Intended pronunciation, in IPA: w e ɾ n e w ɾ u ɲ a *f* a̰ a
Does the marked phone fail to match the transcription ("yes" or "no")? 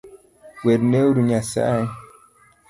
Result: yes